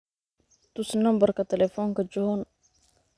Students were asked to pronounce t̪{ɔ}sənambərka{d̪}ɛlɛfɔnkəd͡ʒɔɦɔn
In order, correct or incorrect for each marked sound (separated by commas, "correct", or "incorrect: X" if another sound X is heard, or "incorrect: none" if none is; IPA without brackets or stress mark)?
incorrect: u, incorrect: t̪